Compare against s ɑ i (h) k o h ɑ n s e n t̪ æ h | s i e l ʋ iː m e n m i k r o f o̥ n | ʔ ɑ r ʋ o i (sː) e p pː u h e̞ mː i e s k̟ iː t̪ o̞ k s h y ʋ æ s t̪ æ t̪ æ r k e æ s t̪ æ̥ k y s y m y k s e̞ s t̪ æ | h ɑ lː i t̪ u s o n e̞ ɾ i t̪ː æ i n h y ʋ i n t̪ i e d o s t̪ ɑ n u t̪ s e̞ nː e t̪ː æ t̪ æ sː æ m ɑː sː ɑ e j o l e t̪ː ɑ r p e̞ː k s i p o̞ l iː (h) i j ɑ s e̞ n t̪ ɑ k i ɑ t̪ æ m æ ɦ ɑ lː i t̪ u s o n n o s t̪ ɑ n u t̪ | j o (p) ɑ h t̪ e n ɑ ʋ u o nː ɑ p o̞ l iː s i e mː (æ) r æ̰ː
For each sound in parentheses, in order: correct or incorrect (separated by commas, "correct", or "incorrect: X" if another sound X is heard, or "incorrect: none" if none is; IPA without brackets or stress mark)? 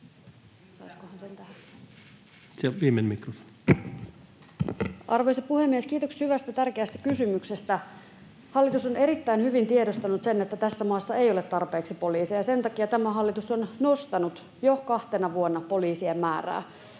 incorrect: s, incorrect: s, incorrect: s, incorrect: k, incorrect: æː